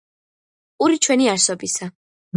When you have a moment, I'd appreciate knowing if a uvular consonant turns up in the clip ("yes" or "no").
no